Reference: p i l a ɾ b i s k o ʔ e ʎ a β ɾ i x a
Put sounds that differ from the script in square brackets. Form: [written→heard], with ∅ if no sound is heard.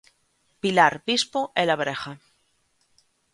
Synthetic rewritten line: p i l a ɾ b i s [k→p] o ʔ e [ʎ→l] a β ɾ [i→e] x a